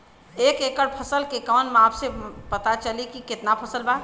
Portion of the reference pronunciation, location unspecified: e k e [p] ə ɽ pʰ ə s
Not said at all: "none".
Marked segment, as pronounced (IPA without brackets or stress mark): k